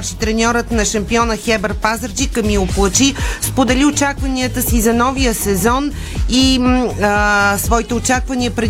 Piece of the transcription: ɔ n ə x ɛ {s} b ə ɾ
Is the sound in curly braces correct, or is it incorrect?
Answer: incorrect